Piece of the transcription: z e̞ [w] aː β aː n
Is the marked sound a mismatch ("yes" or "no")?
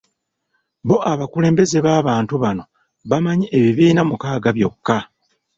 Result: yes